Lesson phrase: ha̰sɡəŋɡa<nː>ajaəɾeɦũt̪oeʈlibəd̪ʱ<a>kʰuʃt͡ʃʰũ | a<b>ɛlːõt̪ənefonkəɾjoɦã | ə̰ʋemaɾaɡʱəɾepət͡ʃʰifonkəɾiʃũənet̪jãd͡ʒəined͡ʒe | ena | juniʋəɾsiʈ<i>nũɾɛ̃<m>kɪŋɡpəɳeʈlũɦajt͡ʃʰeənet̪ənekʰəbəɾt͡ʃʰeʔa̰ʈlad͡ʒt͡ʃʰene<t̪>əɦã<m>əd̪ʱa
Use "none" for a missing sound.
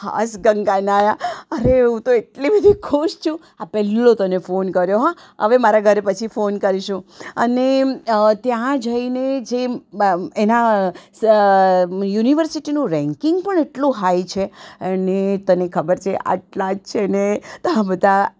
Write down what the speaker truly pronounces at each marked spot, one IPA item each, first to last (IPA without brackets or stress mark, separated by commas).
n, i, p, i, ŋ, t̪, b